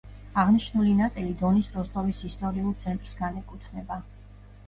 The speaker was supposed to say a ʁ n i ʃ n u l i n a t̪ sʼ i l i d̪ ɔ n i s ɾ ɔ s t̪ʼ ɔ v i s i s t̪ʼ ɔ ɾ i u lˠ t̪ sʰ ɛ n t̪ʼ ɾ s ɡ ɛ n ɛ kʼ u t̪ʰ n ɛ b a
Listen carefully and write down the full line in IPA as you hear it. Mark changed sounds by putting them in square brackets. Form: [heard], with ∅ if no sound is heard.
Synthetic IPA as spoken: a ʁ n i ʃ n u l i n a t̪ sʼ i l i d̪ ɔ n i s ɾ ɔ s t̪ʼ ɔ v i s i s t̪ʼ ɔ ɾ i u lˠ t̪ sʰ ɛ n t̪ʼ ɾ s ɡ [a] n ɛ kʼ u t̪ʰ n ɛ b a